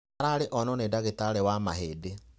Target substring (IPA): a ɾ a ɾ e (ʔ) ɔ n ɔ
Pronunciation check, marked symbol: correct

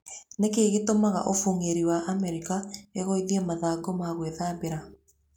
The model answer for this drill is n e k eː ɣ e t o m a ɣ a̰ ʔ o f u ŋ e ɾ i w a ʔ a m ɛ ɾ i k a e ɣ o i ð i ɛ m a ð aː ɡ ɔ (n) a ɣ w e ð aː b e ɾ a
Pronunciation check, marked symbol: incorrect: m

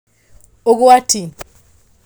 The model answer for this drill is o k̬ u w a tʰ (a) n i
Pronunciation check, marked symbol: incorrect: i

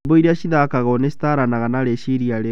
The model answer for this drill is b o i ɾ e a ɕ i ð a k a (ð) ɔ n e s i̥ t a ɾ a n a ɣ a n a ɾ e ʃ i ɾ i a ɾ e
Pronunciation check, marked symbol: incorrect: ɣ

